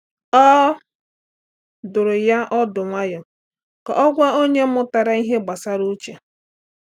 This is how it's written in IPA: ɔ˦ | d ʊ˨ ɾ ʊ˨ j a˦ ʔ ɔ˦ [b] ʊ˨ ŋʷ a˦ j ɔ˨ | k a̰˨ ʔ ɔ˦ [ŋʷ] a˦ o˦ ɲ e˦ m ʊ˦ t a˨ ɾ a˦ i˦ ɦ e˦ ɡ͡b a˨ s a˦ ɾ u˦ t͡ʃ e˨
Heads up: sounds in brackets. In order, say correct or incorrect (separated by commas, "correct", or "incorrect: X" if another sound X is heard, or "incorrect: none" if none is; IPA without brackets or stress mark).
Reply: incorrect: d, incorrect: ɡʷ